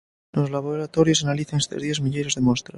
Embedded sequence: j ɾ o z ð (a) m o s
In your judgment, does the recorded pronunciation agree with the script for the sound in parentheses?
no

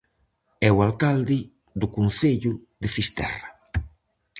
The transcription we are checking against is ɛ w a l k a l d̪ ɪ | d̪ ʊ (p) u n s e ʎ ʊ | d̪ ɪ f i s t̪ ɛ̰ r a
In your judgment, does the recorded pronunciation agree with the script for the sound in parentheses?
no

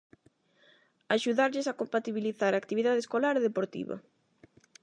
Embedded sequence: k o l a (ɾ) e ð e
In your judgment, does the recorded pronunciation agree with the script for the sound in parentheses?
yes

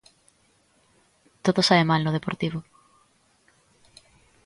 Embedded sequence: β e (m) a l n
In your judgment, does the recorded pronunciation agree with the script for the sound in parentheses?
yes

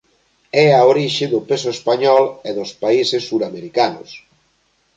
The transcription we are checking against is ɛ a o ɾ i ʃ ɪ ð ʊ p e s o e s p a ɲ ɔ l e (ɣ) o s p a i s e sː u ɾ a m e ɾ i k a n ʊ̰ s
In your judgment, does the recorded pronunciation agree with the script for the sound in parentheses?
no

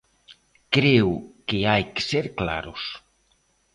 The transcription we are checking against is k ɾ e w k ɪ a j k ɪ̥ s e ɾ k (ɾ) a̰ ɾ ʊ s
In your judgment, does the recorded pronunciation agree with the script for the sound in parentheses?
no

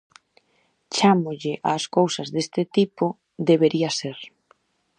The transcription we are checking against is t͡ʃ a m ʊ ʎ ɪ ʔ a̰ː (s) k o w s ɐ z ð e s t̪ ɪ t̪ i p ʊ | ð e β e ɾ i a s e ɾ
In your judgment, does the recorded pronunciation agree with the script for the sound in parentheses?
yes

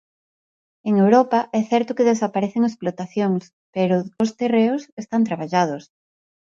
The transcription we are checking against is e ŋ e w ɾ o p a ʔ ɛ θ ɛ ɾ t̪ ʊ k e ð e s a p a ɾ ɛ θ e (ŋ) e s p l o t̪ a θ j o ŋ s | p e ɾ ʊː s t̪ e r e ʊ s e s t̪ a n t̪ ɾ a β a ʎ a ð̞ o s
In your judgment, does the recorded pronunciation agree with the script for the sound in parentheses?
yes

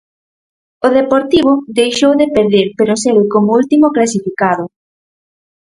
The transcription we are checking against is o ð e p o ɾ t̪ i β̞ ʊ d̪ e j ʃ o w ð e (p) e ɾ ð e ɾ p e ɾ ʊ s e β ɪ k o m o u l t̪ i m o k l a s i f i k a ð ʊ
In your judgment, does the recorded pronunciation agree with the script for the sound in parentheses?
yes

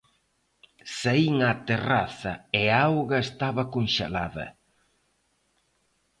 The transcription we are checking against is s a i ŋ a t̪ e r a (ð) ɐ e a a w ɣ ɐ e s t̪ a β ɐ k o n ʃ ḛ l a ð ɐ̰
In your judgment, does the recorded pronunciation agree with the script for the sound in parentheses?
no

